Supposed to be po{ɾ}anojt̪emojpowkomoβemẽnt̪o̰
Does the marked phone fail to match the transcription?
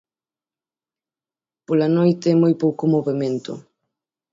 yes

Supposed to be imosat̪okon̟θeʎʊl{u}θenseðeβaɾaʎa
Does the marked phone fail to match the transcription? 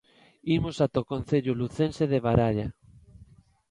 no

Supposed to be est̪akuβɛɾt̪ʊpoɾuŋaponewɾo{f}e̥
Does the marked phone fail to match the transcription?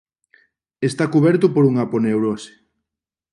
yes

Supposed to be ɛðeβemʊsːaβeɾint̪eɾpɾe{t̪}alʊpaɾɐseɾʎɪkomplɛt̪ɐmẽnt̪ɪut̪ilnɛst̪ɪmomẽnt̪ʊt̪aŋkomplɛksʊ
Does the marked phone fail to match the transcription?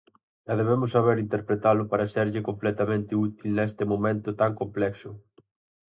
no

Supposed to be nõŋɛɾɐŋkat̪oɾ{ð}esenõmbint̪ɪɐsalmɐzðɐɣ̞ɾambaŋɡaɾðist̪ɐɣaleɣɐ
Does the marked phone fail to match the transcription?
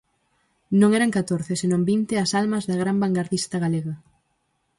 yes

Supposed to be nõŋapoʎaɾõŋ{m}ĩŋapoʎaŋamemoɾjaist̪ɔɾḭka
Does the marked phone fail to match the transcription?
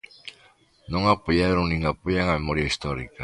yes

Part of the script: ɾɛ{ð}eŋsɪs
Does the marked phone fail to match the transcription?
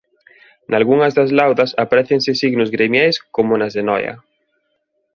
yes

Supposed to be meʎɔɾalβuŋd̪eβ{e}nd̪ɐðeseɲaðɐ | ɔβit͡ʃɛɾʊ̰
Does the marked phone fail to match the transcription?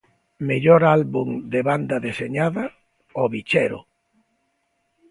yes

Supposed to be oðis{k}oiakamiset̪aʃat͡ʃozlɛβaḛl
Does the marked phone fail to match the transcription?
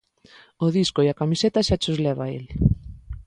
no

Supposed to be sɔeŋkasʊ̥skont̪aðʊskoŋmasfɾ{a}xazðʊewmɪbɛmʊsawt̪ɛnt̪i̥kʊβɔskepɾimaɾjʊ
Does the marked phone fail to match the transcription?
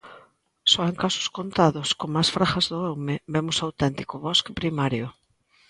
no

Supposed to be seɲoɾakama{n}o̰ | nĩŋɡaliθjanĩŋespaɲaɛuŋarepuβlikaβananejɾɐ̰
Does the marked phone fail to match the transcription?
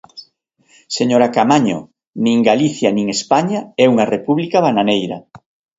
yes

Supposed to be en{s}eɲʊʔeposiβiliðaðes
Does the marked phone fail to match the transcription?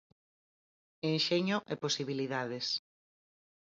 yes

